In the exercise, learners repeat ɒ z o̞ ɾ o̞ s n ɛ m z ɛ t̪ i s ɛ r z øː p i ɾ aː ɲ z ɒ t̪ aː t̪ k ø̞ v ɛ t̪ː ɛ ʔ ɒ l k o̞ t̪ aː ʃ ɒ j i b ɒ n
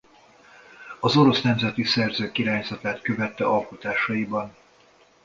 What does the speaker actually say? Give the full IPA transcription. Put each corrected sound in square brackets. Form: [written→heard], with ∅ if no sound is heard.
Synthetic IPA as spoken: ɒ z o̞ ɾ o̞ s n ɛ m z ɛ t̪ i s ɛ r z øː [p→k] i ɾ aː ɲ z ɒ t̪ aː t̪ k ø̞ v ɛ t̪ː ɛ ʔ ɒ l k o̞ t̪ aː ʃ ɒ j i b ɒ n